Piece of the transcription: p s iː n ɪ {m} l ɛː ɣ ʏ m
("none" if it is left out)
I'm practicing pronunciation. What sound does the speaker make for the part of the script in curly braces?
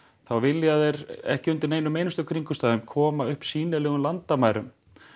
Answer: none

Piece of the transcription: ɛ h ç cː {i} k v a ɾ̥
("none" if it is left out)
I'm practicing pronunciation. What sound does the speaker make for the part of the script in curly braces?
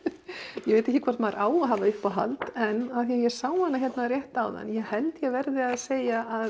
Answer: ɪ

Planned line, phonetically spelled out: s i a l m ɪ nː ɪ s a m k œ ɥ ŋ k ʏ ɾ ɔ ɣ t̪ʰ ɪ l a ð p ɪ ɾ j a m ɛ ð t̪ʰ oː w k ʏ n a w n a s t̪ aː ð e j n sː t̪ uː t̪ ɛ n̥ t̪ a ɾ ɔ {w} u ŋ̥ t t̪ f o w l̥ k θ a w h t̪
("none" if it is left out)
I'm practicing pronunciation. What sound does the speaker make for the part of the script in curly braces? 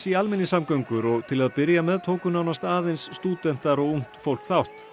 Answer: ɣ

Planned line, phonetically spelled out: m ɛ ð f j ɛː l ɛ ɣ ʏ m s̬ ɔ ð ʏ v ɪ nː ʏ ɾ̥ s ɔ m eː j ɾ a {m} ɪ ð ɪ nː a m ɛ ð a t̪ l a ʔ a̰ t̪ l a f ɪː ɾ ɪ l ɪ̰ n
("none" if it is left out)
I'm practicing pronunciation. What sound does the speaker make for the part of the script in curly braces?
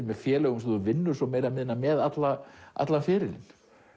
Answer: m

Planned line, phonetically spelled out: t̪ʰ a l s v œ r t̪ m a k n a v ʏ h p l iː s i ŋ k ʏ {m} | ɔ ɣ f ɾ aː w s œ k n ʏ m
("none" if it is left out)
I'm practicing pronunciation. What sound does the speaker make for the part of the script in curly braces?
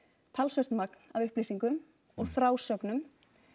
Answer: m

